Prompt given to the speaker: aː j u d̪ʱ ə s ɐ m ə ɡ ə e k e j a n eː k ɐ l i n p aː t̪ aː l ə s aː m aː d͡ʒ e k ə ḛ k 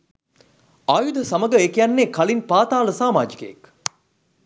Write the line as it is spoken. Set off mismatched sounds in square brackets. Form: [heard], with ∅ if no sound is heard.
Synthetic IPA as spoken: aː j u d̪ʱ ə s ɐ m ə ɡ ə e k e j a [nː] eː k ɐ l i n p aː t̪ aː l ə s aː m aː d͡ʒ [i] k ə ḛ k